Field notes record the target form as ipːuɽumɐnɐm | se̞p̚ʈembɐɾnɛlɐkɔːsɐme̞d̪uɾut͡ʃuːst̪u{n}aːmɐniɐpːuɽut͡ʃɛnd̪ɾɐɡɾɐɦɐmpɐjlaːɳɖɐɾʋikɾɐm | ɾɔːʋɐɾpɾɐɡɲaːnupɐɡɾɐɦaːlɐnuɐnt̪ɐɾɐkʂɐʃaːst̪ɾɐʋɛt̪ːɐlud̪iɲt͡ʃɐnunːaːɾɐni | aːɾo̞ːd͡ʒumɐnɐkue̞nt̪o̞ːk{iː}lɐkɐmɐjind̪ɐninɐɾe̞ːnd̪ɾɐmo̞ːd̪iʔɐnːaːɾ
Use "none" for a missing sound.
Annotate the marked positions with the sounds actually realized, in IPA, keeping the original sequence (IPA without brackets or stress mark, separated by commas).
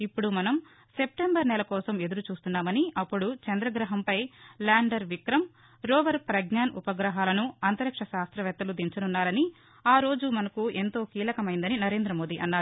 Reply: nː, iː